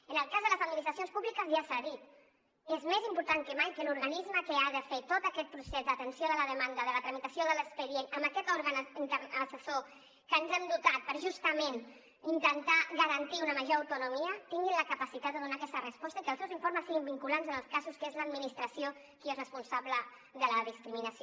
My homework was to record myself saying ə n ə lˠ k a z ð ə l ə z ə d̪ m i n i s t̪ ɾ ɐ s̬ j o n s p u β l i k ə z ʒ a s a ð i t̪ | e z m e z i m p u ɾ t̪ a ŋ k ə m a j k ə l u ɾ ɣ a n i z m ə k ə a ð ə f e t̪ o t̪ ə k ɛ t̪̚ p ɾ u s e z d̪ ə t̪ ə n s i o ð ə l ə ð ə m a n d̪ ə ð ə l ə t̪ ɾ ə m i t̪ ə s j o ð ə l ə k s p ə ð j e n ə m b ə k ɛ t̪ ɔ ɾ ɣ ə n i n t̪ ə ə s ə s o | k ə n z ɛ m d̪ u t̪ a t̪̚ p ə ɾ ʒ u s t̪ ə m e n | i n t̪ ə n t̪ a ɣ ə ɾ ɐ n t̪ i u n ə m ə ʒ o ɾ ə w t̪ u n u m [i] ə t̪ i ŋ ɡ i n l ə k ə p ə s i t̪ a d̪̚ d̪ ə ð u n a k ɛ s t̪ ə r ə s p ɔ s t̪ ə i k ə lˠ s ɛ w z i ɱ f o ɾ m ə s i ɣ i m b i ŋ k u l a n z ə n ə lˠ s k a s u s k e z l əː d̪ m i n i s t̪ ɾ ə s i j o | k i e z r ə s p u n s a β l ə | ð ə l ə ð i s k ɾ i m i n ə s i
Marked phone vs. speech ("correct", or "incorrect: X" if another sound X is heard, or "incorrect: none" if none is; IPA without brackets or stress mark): correct